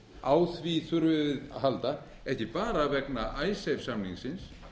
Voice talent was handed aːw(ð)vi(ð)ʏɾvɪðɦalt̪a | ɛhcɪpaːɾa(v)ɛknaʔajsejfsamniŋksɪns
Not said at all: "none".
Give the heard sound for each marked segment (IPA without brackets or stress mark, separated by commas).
θ, θ, v